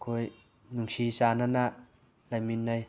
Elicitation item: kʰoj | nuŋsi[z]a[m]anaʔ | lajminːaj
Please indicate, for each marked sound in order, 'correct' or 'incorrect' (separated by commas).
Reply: incorrect, incorrect